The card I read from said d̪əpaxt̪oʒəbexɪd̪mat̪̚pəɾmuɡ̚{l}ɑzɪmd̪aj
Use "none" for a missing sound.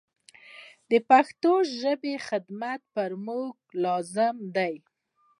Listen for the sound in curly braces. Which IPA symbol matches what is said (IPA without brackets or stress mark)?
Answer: l